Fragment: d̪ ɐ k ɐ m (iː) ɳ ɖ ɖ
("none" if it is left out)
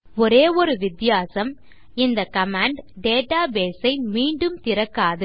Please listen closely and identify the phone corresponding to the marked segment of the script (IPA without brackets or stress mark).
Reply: aː